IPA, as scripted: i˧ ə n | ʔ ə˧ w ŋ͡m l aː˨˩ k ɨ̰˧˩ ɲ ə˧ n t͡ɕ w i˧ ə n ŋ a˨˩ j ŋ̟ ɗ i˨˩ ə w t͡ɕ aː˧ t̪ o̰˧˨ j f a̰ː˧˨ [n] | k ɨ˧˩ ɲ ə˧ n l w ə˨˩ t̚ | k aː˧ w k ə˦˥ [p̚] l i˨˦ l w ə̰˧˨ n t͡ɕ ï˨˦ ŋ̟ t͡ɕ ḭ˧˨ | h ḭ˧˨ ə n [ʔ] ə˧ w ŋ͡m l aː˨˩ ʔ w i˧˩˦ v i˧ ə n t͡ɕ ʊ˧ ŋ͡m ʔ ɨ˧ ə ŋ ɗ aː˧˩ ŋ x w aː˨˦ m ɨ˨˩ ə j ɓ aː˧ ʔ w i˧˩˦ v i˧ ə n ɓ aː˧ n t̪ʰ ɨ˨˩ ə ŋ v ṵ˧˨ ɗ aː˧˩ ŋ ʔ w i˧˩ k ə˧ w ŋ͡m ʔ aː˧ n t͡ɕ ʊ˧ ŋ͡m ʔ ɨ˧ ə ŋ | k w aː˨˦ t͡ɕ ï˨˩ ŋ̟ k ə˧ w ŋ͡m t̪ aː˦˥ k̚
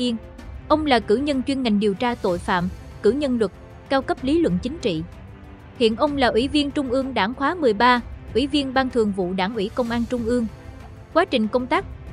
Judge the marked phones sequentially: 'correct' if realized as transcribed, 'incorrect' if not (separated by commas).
incorrect, correct, correct